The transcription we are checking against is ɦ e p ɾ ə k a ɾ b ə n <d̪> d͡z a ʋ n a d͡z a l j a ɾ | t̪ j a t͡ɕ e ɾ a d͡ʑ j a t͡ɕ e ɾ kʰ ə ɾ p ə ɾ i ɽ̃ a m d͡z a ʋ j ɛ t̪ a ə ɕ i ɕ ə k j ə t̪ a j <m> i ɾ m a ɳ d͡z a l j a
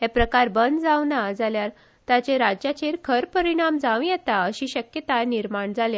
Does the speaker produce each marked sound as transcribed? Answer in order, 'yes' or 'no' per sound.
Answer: yes, no

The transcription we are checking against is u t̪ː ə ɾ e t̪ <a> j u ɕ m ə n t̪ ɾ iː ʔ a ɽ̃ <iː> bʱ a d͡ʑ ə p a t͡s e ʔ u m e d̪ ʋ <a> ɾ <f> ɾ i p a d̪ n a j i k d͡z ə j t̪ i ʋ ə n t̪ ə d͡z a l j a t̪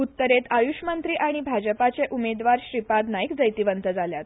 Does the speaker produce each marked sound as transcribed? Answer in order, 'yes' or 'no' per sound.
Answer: yes, no, yes, no

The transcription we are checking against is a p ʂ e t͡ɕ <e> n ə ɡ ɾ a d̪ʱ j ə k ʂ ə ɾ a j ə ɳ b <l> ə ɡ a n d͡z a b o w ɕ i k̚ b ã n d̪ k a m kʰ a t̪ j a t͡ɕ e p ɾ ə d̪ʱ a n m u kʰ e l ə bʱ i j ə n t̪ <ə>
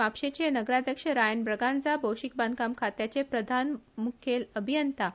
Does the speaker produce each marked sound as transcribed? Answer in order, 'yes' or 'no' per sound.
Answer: yes, no, no

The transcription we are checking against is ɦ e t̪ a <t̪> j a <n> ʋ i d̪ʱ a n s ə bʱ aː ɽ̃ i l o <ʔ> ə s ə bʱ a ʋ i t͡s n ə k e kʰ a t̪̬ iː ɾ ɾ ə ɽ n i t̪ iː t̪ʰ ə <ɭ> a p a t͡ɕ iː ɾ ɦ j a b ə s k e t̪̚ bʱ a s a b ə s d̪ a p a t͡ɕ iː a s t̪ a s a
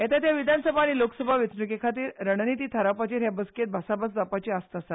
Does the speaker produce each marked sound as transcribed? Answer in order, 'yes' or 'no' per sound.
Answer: yes, no, no, no

